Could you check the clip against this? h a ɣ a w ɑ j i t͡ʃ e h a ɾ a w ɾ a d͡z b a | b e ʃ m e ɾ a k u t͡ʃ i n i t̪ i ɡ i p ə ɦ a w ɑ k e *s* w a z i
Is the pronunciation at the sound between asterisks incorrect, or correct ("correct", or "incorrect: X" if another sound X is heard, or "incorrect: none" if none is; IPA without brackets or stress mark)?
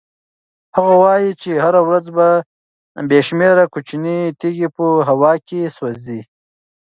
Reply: correct